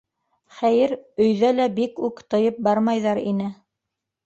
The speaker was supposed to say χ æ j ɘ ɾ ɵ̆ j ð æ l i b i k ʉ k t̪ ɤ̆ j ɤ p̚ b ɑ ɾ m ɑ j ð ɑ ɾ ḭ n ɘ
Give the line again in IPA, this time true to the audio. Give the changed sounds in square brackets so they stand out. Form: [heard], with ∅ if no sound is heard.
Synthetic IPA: χ æ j ɘ ɾ ɵ̆ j ð æ l [æ] b i k ʉ k t̪ ɤ̆ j ɤ p̚ b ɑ ɾ m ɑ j ð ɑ ɾ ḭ n ɘ